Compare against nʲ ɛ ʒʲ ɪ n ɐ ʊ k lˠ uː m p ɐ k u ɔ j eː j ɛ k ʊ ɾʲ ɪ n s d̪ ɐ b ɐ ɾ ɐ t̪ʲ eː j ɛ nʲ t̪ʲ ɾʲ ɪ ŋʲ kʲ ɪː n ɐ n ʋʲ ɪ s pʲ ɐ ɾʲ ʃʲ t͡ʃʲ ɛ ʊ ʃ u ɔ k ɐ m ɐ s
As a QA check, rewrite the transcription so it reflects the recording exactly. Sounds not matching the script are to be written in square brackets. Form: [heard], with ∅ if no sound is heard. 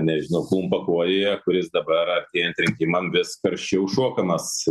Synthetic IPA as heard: nʲ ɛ ʒʲ ɪ n ɐ ʊ k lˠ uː m p ɐ k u ɔ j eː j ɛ k ʊ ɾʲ ɪ [∅] s d̪ ɐ b ɐ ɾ ɐ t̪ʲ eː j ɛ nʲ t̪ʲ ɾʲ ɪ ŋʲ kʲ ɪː [m] ɐ n ʋʲ ɪ s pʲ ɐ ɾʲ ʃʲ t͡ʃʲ ɛ ʊ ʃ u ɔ k ɐ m ɐ s